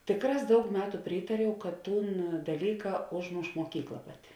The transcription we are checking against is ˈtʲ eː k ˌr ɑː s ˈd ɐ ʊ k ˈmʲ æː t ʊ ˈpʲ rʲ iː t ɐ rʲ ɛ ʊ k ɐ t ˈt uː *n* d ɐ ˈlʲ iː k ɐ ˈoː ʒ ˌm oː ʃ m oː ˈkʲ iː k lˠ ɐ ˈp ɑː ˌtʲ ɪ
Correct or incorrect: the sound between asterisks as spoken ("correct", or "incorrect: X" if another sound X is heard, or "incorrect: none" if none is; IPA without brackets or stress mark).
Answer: correct